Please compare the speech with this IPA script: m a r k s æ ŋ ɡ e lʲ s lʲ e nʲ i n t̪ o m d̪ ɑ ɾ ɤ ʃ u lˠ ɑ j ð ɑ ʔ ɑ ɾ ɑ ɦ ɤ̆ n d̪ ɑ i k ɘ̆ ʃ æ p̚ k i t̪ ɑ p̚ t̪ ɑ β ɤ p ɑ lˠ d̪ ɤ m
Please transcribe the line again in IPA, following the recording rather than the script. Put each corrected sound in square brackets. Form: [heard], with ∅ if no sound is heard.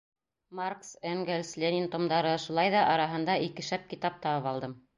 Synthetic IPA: m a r k s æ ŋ ɡ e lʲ s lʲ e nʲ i n t̪ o m d̪ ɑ ɾ ɤ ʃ u lˠ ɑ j ð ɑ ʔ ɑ ɾ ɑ ɦ ɤ̆ n d̪ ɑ i k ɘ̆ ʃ æ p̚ k i t̪ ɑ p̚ t̪ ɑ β ɤ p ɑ lˠ d̪ ɤ m